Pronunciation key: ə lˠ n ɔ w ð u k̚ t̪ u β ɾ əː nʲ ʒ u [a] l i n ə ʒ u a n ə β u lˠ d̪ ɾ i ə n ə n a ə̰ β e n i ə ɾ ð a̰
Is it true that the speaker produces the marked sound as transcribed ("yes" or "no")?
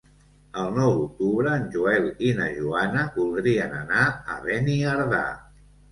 no